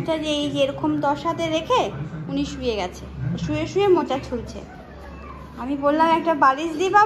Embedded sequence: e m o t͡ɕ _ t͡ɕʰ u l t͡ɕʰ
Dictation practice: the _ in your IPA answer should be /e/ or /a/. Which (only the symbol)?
a